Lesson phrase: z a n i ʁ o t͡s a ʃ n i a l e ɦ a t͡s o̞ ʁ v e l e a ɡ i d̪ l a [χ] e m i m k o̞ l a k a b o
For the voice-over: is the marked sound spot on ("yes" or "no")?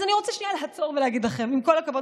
yes